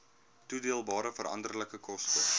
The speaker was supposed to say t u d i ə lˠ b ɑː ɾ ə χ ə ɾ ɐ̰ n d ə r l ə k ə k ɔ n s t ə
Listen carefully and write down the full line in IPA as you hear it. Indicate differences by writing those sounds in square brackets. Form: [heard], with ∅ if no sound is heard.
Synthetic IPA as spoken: t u d i ə lˠ b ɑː ɾ ə [f] ə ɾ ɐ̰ n d ə r l ə k ə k ɔ [∅] s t ə